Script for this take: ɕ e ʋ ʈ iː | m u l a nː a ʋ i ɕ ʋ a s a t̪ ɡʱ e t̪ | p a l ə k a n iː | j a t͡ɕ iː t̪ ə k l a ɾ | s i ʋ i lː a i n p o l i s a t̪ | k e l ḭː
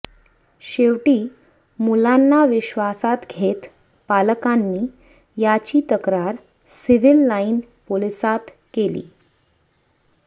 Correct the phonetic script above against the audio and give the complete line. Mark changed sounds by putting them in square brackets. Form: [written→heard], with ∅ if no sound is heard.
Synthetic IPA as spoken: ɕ e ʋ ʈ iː | m u l a nː a ʋ i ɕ ʋ a s a t̪ ɡʱ e t̪ | p a l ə k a [n→nː] iː | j a t͡ɕ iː t̪ ə k [l→ɾ] a ɾ | s i ʋ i lː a i n p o l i s a t̪ | k e l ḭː